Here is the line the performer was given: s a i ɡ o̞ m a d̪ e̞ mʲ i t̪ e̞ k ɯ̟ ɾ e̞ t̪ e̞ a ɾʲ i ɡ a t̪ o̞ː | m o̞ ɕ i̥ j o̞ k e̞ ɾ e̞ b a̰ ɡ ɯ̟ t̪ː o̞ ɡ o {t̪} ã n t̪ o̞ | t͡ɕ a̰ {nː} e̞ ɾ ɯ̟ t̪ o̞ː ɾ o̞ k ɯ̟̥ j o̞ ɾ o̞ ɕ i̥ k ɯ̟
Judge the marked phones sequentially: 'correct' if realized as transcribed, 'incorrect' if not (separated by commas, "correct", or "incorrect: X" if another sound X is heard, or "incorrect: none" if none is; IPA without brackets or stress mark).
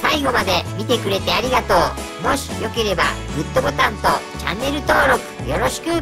correct, correct